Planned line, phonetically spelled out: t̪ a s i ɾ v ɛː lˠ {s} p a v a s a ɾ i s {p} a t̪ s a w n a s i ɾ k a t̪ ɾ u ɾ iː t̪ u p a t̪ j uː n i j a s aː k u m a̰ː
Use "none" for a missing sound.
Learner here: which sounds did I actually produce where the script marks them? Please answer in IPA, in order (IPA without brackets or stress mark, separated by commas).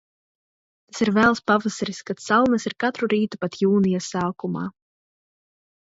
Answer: s, k